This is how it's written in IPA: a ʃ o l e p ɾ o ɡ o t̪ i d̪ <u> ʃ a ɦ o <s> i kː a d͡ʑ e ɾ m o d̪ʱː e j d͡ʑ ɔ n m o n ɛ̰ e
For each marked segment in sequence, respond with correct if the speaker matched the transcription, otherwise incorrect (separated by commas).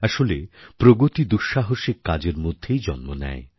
correct, incorrect